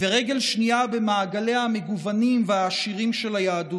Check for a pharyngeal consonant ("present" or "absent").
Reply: absent